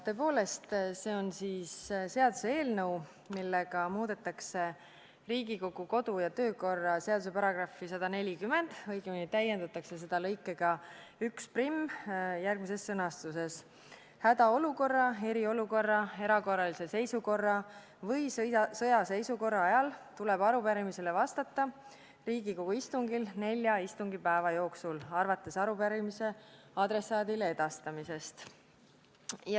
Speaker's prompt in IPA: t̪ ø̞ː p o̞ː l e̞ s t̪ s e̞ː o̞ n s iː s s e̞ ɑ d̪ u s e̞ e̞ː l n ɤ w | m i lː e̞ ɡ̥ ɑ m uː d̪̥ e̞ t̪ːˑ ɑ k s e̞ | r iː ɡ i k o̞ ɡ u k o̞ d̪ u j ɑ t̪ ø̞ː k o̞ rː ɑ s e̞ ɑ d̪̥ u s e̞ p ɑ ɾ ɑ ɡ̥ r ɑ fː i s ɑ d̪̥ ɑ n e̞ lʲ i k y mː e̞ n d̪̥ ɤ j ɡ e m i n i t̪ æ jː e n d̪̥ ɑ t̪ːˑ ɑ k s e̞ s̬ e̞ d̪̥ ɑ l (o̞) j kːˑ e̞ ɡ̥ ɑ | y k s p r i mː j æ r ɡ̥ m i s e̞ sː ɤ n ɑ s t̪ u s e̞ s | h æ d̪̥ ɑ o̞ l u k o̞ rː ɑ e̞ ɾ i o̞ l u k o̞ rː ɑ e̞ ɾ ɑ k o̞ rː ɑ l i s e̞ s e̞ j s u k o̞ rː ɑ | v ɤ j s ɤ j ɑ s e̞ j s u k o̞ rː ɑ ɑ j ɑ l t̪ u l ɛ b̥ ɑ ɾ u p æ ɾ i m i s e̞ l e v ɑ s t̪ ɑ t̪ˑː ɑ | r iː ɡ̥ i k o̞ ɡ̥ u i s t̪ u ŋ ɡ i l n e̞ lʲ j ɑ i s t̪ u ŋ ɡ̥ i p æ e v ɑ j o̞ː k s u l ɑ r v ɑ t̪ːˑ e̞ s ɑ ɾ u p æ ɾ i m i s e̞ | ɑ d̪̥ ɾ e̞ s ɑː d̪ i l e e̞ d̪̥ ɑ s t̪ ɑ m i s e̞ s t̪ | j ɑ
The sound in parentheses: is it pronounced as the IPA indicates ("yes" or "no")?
no